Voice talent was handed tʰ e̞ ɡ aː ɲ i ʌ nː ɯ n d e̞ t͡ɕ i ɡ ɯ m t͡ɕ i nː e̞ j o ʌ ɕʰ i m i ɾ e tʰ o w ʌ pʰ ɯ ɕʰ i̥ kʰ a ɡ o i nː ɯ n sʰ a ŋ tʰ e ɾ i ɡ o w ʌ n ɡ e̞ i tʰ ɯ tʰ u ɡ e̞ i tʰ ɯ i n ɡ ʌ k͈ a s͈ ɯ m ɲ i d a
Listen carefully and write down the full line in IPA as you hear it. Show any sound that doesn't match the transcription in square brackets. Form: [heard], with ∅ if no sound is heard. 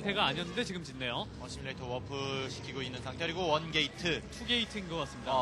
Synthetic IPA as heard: tʰ e̞ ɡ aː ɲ i ʌ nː ɯ n d e̞ t͡ɕ i ɡ ɯ m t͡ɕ i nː e̞ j o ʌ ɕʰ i m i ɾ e tʰ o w ʌ pʰ ɯ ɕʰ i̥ kʰ [i] ɡ o i nː ɯ n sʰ a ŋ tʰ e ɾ i ɡ o w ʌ n ɡ e̞ i tʰ ɯ tʰ u ɡ e̞ i tʰ ɯ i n ɡ ʌ k͈ a s͈ ɯ m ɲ i d a

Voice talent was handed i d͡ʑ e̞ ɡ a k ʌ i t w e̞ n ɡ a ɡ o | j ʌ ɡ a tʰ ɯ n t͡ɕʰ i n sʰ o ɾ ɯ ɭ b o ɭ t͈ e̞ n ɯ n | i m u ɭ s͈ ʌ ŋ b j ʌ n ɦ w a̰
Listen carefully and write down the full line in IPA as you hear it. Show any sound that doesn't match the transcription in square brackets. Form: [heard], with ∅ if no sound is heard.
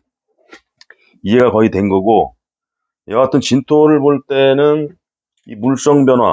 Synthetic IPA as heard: i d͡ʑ e̞ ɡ a k ʌ i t w e̞ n ɡ [ʌ] ɡ o | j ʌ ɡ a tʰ ɯ n [t͡ɕ] i n [tʰ] o ɾ ɯ ɭ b o ɭ t͈ e̞ n ɯ n | i m u ɭ s͈ ʌ ŋ b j ʌ n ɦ w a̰

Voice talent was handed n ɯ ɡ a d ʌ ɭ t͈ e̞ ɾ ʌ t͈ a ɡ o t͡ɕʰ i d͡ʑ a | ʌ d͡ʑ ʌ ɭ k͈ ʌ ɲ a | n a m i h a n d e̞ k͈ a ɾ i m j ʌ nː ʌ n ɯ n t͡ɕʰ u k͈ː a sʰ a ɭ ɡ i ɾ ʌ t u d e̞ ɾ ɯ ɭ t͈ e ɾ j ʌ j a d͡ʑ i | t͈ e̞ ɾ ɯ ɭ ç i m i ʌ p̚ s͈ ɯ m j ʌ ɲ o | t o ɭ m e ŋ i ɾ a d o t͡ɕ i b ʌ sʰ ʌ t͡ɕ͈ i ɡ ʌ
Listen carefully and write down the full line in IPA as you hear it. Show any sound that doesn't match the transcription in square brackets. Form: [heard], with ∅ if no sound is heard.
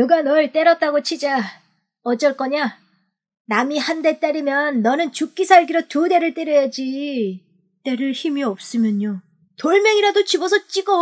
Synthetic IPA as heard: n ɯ ɡ a [n] ʌ ɭ t͈ e̞ ɾ ʌ t͈ a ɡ o t͡ɕʰ i d͡ʑ a | ʌ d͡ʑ ʌ ɭ k͈ ʌ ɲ a | n a m i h a n d e̞ [t͈] a ɾ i m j ʌ nː ʌ n ɯ n [t͡ɕ] u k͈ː [i] sʰ a ɭ ɡ i ɾ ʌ t u d e̞ ɾ ɯ ɭ t͈ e ɾ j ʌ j a d͡ʑ i | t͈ e̞ ɾ ɯ ɭ ç i m i ʌ p̚ s͈ ɯ m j ʌ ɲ o | t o ɭ m e ŋ i ɾ a d o t͡ɕ i b ʌ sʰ ʌ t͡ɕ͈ i ɡ ʌ

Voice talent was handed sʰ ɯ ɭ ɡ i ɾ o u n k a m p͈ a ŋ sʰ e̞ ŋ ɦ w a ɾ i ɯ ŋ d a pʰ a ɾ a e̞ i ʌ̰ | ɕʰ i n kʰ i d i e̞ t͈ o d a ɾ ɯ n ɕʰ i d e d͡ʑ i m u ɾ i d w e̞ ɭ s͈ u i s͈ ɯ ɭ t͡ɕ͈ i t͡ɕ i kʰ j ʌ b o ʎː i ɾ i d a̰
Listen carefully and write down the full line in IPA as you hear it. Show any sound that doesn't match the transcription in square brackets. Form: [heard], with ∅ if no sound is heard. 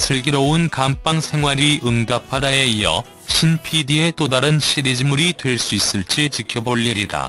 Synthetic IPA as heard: sʰ ɯ ɭ ɡ i ɾ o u n k a m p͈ a ŋ sʰ e̞ ŋ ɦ w a ɾ i ɯ ŋ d a pʰ a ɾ a e̞ i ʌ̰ | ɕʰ i n [pʰ] i d i e̞ t͈ o d a ɾ ɯ n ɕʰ i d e d͡ʑ i m u ɾ i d w e̞ ɭ s͈ u i s͈ ɯ ɭ t͡ɕ͈ i t͡ɕ i kʰ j ʌ b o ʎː i ɾ i d a̰

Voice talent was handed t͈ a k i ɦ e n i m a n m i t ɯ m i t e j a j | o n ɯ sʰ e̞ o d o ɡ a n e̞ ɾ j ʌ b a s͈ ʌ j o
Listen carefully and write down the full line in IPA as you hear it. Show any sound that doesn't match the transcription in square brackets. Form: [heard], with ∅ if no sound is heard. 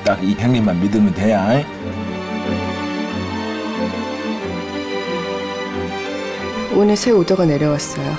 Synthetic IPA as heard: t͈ a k i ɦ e [ŋ] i m a n m i [d] ɯ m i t e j a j | o n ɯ sʰ e̞ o d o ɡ a n e̞ ɾ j ʌ [w] a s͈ ʌ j o

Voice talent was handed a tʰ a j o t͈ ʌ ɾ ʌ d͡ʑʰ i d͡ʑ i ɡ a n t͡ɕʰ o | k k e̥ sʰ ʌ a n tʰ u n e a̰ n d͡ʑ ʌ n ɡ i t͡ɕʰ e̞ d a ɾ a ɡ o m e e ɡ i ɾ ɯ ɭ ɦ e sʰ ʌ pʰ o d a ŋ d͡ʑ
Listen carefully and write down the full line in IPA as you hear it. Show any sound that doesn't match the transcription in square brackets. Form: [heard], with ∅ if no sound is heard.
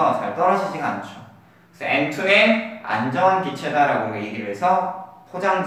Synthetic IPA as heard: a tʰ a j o t͈ ʌ ɾ ʌ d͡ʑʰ i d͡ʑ i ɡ a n t͡ɕʰ o | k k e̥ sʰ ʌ [e] n tʰ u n e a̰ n d͡ʑ ʌ n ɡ i t͡ɕʰ e̞ d a ɾ a ɡ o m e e ɡ i ɾ ɯ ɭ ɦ e sʰ ʌ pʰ o [d͡ʑ] a ŋ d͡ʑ

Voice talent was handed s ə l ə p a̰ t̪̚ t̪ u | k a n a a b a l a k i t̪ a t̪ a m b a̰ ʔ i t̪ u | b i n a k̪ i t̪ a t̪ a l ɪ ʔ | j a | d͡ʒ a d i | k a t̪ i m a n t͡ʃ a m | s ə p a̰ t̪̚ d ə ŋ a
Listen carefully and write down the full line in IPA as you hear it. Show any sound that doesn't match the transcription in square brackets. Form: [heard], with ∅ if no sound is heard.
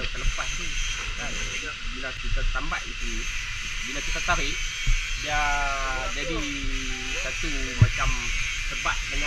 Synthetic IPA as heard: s ə l ə p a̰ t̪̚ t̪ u | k a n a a b [i] l a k i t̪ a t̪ a m b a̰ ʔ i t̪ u | b i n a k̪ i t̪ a t̪ a [ɾ] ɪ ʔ | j a | d͡ʒ a d i | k a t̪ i m a [∅] t͡ʃ a m | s ə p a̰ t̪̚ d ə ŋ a

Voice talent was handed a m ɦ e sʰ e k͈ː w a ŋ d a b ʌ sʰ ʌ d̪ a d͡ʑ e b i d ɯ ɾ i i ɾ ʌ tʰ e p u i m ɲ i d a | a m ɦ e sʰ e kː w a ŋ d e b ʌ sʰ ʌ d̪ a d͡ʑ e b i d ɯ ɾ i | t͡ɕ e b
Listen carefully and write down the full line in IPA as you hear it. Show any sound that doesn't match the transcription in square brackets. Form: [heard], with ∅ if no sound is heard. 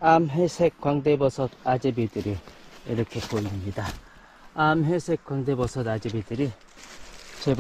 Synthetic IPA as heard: a m ɦ e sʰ e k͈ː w a ŋ d [e] b ʌ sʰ ʌ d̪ a d͡ʑ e b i d ɯ ɾ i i ɾ ʌ [kʰ] e p [o] i m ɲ i d a | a m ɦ e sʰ e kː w a ŋ d e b ʌ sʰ ʌ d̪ a d͡ʑ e b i d ɯ ɾ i | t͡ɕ e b

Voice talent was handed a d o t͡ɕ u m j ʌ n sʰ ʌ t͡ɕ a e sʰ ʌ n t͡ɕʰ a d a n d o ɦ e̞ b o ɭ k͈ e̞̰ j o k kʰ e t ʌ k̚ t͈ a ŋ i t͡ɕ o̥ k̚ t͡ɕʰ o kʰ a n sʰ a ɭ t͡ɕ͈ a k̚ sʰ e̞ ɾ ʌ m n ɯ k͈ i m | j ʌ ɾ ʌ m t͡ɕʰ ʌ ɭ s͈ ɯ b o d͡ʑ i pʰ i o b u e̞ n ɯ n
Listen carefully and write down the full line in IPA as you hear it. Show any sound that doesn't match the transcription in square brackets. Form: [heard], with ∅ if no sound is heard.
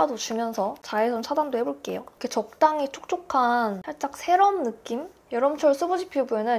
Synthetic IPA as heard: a d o t͡ɕ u m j ʌ n sʰ ʌ t͡ɕ a e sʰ ʌ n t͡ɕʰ a d a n d o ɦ e̞ b o ɭ k͈ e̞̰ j o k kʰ e [t͡ɕ] ʌ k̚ t͈ a ŋ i [t͡ɕʰ] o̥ k̚ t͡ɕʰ o kʰ a n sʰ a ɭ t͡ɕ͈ a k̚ sʰ e̞ ɾ ʌ m n ɯ k͈ i m | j ʌ ɾ ʌ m t͡ɕʰ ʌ ɭ s͈ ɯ b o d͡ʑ i pʰ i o b u e̞ n ɯ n

